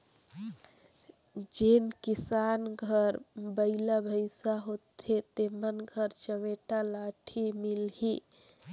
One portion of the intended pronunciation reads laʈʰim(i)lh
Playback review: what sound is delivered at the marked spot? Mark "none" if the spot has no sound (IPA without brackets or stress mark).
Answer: i